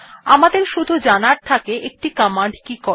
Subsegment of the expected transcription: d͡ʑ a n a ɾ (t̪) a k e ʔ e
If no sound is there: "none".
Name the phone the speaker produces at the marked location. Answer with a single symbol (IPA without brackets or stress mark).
t̪ʰ